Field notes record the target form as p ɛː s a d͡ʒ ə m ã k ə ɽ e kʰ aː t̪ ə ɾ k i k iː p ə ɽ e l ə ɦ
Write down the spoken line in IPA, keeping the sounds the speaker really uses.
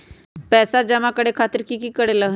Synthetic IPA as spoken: p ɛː s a d͡ʒ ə m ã k ə ɽ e kʰ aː t̪ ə ɾ k i k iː k ə ɽ e l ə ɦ